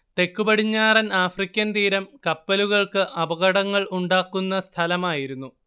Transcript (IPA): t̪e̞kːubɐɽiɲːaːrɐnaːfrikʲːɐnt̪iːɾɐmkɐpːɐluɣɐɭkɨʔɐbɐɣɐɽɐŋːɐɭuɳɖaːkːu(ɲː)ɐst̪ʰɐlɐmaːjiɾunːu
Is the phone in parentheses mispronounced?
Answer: yes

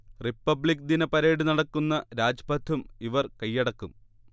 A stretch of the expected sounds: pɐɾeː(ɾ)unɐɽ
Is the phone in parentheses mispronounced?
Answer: yes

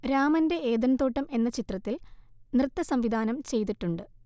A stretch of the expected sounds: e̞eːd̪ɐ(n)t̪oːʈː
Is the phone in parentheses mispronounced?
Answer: no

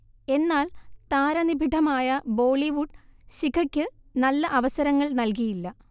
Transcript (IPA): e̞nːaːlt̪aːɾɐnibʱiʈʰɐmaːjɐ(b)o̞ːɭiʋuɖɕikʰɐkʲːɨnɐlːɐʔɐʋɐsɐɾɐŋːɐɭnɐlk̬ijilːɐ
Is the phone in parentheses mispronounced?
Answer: no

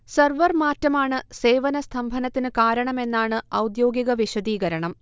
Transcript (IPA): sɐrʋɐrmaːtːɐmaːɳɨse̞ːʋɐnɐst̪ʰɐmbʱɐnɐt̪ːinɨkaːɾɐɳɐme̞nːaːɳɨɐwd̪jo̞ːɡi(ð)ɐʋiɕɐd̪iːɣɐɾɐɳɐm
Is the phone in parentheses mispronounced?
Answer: yes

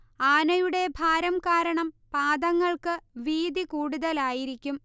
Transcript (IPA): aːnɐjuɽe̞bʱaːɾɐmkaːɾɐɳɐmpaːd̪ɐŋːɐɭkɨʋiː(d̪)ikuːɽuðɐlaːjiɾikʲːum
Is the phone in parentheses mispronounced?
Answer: no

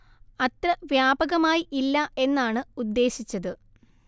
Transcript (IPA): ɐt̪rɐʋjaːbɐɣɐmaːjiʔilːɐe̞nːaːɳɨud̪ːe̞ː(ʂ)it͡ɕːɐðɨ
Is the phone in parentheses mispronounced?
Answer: yes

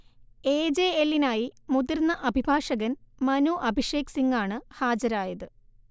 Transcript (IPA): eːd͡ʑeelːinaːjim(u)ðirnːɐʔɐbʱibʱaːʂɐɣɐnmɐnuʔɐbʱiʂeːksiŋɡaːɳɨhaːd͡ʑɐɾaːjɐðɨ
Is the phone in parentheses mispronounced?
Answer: no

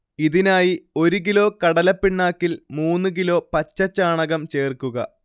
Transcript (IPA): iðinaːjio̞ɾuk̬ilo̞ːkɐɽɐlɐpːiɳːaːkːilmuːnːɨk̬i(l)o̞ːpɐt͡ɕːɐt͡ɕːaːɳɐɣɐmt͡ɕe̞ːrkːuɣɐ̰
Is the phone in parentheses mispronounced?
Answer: no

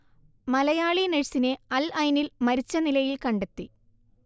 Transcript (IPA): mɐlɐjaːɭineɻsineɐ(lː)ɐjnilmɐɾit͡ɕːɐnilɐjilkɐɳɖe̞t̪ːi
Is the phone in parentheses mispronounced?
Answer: yes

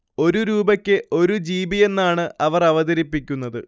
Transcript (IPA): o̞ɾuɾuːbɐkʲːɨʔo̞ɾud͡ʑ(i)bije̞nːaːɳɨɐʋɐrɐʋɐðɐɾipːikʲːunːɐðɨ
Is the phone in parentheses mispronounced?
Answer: yes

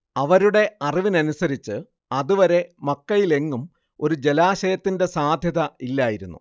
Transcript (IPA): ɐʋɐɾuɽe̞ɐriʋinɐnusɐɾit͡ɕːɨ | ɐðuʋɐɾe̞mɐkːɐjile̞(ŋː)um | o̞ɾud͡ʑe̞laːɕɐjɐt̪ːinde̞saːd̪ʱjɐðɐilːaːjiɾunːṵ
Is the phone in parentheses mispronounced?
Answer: no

